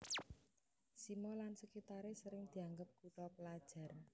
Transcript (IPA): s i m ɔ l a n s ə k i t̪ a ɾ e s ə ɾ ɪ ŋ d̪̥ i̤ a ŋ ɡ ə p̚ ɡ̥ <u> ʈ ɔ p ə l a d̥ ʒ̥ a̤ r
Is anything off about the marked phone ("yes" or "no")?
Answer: no